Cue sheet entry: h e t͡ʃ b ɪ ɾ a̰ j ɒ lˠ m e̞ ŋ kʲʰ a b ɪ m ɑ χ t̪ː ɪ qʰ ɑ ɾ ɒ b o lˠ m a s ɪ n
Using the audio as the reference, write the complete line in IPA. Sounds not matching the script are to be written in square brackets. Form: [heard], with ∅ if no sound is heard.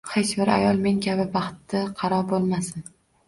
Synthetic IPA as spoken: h e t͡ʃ b ɪ ɾ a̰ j ɒ lˠ m e̞ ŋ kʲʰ a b ɪ [b] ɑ χ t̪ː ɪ qʰ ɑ ɾ ɒ b o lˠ m a s ɪ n